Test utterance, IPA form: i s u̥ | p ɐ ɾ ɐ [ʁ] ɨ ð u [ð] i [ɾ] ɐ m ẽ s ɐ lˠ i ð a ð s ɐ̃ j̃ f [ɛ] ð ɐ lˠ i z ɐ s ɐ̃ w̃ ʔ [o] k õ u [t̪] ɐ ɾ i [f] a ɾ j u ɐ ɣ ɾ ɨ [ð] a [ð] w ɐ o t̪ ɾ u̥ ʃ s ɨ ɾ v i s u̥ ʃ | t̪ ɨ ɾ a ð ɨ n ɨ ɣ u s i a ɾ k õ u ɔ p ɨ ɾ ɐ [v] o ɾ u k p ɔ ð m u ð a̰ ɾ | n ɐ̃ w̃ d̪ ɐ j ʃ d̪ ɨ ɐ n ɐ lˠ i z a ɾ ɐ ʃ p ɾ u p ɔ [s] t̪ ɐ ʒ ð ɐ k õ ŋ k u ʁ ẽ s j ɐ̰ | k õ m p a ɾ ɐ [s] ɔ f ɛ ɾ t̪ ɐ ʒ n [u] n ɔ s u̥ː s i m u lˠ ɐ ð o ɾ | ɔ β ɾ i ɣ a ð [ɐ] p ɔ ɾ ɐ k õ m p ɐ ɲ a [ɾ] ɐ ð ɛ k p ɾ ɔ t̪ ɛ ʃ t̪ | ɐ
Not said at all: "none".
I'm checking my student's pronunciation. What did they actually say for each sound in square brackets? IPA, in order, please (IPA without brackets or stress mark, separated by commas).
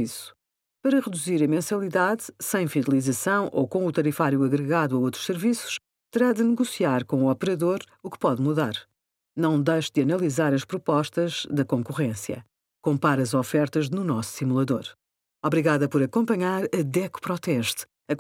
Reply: ʁ, z, ɾ, i, o, t̪, f, ɣ, ð, ð, ʃ, z, u, ɐ, ɾ